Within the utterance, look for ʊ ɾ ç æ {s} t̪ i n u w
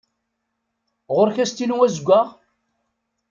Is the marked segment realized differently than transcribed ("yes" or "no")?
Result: no